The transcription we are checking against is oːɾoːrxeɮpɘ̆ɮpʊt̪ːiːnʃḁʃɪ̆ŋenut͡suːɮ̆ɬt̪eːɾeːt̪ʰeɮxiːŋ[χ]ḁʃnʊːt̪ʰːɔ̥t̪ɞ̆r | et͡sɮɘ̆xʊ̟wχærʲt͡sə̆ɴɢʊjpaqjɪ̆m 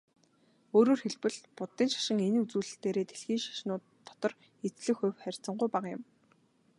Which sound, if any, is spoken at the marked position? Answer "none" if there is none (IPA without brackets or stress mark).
ʃ